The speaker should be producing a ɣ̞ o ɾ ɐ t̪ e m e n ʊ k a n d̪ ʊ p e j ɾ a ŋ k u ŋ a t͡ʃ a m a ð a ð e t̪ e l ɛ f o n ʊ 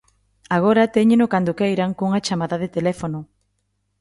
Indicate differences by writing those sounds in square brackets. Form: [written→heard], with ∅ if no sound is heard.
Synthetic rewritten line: a ɣ̞ o ɾ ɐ t̪ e [m→ɲ] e n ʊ k a n d̪ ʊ [p→k] e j ɾ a ŋ k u ŋ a t͡ʃ a m a ð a ð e t̪ e l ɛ f o n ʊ